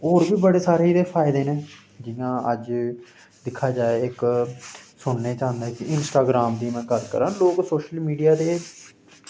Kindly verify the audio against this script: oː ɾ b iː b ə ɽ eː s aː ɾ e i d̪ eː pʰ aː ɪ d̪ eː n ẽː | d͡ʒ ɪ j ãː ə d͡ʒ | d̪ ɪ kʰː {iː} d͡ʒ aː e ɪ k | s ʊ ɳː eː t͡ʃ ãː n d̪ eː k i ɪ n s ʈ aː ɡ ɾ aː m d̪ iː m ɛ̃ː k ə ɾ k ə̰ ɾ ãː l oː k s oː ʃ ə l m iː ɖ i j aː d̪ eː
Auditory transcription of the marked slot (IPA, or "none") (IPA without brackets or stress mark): aː